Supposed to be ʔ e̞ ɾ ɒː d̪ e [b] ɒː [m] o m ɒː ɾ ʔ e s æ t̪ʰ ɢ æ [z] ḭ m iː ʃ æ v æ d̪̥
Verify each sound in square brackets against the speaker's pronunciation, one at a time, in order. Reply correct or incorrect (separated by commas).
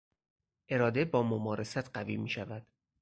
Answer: correct, correct, incorrect